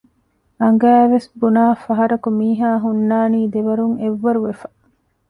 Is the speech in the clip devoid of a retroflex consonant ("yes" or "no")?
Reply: yes